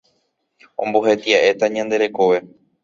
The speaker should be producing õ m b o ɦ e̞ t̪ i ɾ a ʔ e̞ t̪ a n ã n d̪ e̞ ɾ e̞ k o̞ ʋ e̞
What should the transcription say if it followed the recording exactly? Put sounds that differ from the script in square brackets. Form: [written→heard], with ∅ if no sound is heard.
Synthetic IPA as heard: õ m b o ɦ e̞ t̪ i [ɾ→∅] a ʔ e̞ t̪ a [n→ɲ] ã n d̪ e̞ ɾ e̞ k o̞ ʋ e̞